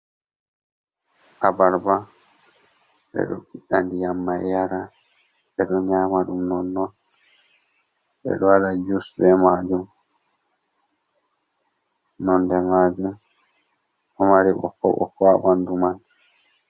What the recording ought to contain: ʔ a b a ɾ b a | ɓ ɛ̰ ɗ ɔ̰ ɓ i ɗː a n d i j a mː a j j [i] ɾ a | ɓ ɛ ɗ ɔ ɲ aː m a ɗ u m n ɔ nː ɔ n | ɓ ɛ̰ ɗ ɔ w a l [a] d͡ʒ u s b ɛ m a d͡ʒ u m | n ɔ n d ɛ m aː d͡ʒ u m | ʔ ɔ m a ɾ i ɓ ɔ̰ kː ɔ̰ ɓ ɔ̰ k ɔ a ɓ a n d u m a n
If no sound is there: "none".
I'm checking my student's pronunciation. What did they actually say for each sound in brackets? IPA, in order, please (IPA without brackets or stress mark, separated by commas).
a, a